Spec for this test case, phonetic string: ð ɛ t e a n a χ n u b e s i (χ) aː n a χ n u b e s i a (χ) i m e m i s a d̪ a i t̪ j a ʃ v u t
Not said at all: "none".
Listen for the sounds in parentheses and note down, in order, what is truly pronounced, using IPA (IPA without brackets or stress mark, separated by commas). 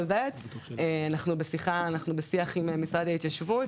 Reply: χ, χ